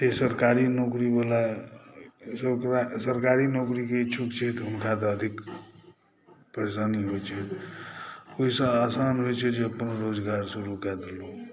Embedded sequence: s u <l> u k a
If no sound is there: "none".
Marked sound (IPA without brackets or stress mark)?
ɾ